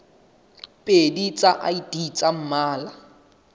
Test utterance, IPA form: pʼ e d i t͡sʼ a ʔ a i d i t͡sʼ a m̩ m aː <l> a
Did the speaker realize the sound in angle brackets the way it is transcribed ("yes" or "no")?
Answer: yes